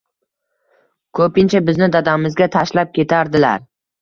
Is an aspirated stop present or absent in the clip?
present